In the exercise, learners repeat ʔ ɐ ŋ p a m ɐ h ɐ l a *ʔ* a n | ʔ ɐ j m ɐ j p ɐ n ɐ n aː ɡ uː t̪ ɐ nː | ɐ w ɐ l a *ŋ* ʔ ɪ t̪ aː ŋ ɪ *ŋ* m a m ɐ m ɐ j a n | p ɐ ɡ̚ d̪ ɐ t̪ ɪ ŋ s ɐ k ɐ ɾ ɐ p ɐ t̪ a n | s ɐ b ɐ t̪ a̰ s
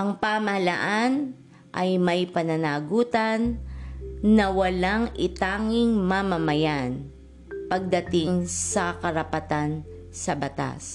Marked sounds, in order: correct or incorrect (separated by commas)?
correct, correct, correct